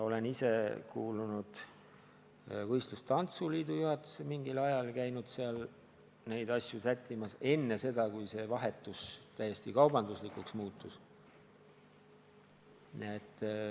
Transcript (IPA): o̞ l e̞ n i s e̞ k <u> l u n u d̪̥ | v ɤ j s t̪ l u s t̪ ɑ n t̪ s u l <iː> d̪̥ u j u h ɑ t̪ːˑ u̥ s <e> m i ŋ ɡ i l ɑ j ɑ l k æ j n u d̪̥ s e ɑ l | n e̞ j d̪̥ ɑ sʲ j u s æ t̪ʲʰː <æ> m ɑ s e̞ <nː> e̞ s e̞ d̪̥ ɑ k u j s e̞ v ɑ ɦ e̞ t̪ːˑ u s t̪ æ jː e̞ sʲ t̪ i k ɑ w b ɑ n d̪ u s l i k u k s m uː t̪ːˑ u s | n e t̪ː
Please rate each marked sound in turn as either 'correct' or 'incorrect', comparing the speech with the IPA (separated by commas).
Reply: incorrect, correct, correct, incorrect, correct